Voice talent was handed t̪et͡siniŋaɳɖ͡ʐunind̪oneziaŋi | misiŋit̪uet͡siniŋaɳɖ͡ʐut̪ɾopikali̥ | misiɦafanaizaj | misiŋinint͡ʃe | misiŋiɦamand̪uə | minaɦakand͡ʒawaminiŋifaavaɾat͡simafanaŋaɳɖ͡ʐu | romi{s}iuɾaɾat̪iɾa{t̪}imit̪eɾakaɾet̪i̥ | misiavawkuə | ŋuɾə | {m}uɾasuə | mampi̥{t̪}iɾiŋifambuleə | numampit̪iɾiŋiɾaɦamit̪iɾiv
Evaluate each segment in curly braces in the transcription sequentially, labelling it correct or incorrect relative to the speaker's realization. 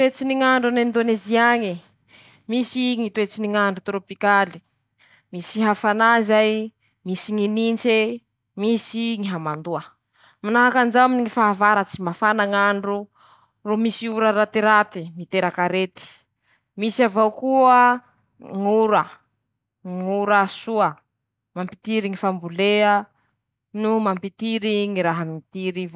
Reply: correct, correct, incorrect, correct

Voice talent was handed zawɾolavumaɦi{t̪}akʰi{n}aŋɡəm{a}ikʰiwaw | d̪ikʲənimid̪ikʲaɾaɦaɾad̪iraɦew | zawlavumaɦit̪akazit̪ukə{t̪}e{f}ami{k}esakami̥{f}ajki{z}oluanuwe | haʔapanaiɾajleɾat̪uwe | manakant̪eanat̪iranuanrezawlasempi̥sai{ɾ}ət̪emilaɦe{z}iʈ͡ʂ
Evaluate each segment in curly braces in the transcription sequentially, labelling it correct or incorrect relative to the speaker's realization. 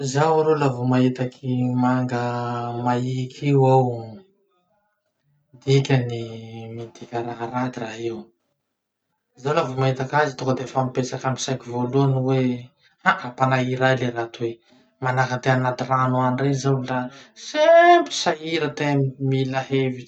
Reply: correct, incorrect, correct, incorrect, correct, incorrect, incorrect, incorrect, correct, incorrect

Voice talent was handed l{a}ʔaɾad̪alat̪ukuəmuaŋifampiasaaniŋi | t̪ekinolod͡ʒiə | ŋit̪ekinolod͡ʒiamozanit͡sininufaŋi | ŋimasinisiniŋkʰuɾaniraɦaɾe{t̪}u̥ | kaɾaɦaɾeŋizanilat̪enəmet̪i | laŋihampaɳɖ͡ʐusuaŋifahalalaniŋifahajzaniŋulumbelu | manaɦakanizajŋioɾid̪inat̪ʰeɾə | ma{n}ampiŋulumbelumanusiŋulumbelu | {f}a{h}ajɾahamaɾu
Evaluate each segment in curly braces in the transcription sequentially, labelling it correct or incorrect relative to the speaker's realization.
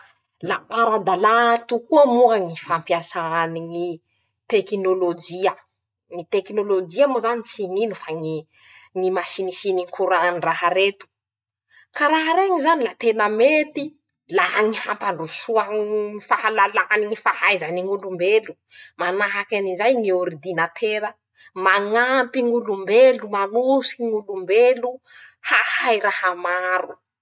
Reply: correct, correct, incorrect, incorrect, correct

